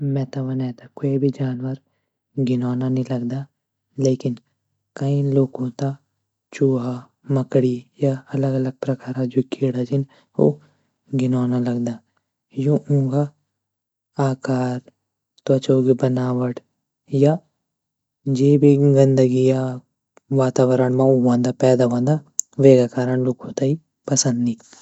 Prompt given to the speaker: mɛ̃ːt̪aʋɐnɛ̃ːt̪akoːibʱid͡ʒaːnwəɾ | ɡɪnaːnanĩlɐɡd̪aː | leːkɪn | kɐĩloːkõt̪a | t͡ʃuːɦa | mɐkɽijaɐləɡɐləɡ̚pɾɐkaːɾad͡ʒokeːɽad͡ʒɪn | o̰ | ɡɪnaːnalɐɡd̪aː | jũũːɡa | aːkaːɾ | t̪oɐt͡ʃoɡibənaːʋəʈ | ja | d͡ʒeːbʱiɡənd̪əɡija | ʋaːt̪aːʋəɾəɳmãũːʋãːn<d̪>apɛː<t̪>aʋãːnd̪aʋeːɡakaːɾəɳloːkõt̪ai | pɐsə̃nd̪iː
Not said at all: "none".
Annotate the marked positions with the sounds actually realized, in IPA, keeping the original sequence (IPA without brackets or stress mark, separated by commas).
d̪, d̪